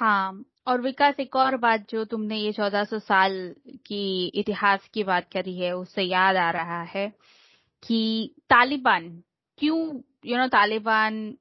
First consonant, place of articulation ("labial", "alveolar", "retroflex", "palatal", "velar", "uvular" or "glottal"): glottal